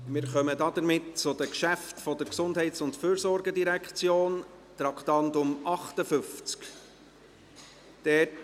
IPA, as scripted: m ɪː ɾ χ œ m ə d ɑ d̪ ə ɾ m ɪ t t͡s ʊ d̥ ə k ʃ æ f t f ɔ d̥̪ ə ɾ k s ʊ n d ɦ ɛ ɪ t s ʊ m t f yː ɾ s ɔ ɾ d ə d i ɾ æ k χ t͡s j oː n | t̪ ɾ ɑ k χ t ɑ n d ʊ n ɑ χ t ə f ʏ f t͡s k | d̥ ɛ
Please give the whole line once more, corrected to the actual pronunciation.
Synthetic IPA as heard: m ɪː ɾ χ œ m ə d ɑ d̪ ə ɾ m ɪ t t͡s ʊ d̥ ə k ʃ æ f t f ɔ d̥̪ ə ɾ k s ʊ n d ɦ ɛ ɪ t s ʊ n t f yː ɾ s ɔ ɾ ɡ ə d i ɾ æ k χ t͡s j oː n | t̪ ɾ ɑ k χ t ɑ n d ʊ m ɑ χ t ə f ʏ f t͡s k | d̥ ɛ